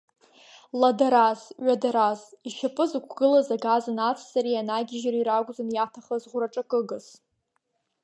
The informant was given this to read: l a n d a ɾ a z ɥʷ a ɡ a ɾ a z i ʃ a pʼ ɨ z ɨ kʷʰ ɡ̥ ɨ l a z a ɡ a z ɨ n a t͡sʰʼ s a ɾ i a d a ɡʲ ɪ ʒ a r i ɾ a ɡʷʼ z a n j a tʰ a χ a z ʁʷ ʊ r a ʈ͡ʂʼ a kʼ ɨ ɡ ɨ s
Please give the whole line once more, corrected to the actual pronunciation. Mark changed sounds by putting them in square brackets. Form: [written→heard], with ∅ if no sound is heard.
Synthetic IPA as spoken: l a [n→∅] d a ɾ a z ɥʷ a [ɡ→d] a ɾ a z i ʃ a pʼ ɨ z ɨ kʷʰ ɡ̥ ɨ l a z a ɡ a z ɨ n a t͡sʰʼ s a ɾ i a [d→n] a ɡʲ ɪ ʒ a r i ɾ a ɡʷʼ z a n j a tʰ a χ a z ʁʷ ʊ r a ʈ͡ʂʼ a kʼ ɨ ɡ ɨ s